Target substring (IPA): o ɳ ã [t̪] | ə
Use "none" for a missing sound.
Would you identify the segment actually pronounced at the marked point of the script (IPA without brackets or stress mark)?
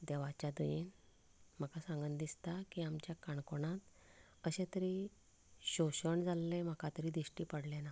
t̪